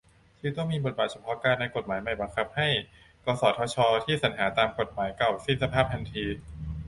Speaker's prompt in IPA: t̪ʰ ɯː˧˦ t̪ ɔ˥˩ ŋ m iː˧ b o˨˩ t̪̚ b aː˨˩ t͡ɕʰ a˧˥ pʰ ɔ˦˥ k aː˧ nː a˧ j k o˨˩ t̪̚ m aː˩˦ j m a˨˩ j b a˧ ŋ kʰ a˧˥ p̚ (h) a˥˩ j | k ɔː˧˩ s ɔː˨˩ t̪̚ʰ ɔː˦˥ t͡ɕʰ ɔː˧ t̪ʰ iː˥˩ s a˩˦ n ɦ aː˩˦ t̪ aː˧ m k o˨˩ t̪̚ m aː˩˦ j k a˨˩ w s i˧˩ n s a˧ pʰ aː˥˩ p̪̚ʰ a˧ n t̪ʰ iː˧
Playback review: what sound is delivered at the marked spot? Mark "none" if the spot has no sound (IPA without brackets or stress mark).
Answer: h